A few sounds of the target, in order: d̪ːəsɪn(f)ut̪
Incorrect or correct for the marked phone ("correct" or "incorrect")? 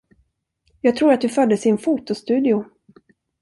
correct